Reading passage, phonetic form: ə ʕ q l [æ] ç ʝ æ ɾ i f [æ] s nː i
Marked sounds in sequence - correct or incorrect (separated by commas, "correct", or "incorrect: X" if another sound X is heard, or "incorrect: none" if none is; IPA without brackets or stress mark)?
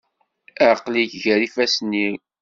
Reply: incorrect: i, correct